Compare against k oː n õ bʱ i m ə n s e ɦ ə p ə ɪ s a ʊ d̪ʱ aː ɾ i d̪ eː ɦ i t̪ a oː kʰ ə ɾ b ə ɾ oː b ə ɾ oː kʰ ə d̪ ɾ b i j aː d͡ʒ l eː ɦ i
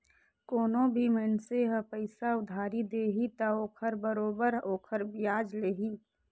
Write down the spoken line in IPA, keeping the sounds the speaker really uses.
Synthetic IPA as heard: k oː n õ bʱ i m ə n s e ɦ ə p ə ɪ s a ʊ d̪ʱ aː ɾ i d̪ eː ɦ i t̪ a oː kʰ ə ɾ b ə ɾ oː b ə ɾ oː kʰ ə ɾ b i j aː d͡ʒ l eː ɦ i